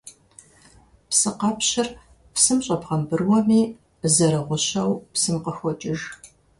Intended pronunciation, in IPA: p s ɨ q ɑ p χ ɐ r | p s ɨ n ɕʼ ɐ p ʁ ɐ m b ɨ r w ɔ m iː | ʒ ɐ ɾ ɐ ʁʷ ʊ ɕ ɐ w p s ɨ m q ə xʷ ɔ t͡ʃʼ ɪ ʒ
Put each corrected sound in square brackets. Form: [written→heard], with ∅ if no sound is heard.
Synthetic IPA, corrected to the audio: p s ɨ q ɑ p [χ→ɕ] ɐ r | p s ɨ [n→m] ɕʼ ɐ p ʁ ɐ m b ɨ r w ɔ m iː | [ʒ→z] ɐ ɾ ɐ ʁʷ ʊ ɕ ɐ w p s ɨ m q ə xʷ ɔ t͡ʃʼ ɪ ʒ